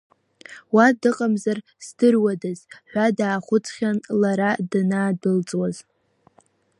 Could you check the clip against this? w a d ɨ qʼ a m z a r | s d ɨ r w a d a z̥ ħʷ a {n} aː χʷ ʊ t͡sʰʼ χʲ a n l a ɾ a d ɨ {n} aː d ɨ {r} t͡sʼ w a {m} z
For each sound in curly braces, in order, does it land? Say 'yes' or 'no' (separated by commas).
no, yes, no, no